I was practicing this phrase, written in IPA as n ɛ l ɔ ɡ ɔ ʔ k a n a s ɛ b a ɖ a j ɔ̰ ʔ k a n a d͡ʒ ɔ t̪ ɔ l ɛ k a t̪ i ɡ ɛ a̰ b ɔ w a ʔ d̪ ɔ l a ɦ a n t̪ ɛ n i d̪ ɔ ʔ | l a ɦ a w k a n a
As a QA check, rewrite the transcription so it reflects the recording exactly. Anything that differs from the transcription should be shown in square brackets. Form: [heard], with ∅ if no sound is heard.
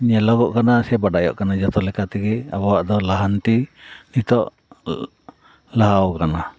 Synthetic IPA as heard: [ɲ] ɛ l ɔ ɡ ɔ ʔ k a n a s ɛ b a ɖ a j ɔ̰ ʔ k a n a d͡ʒ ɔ t̪ ɔ l ɛ k a t̪ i ɡ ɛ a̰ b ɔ w a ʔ d̪ ɔ l a ɦ a n t̪ [i] n i [t̪] ɔ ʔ | l a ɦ a w k a n a